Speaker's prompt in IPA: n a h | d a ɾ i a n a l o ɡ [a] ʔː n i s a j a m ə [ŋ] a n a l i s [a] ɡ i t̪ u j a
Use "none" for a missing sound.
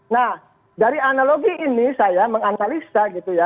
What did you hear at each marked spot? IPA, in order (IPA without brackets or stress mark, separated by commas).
i, ŋ, a